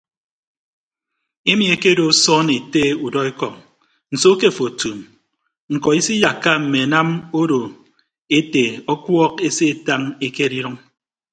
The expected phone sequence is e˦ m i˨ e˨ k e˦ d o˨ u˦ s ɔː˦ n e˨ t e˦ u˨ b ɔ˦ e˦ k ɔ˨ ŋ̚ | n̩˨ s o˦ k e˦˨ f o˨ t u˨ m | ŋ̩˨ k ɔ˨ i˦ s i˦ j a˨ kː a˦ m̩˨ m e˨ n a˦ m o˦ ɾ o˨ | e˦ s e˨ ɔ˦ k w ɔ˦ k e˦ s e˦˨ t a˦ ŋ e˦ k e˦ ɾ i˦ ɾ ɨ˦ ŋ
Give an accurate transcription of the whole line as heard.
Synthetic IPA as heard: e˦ m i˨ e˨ k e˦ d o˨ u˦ s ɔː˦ n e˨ t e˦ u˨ d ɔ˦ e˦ k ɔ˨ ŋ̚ | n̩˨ s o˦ k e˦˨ f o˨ t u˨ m | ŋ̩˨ k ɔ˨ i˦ s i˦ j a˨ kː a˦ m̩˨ m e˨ n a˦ m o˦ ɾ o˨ | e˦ t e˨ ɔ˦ k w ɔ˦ k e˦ s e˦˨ t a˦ ŋ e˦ k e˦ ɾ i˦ ɾ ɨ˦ ŋ